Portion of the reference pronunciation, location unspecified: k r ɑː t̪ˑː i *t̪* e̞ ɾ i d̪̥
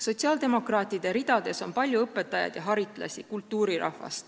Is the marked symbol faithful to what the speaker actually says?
no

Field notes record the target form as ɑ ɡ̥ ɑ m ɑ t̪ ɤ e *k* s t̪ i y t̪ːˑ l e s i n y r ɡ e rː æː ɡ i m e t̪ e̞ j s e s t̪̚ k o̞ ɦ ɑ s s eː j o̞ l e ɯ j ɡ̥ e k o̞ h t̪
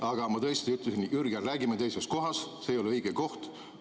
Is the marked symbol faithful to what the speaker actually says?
no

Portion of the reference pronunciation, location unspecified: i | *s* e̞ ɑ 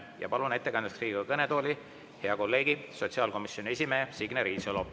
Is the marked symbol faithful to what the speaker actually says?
no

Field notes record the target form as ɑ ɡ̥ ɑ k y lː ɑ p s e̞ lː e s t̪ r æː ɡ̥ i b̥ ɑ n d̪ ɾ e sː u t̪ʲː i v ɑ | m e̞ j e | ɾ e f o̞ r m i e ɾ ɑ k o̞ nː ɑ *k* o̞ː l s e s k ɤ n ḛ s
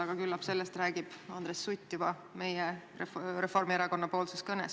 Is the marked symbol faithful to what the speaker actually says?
no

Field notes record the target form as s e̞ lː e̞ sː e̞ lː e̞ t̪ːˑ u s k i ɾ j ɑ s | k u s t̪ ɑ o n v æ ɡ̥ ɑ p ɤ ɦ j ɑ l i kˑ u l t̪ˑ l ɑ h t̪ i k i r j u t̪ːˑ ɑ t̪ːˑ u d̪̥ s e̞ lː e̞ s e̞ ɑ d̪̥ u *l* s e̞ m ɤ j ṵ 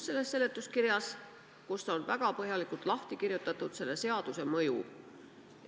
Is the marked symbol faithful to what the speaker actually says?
no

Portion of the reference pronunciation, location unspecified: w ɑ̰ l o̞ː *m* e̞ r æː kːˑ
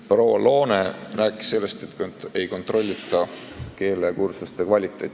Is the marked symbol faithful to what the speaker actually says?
no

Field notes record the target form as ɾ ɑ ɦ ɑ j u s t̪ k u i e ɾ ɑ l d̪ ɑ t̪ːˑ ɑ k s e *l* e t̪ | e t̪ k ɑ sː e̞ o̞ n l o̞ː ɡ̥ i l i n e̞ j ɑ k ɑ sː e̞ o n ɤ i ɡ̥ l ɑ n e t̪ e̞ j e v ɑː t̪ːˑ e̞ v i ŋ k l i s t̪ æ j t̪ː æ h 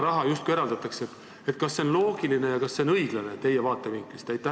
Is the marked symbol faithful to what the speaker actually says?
no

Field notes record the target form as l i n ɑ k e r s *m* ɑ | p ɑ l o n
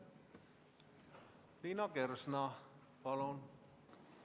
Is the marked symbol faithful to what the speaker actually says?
no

